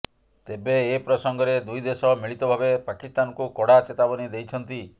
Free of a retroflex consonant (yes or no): no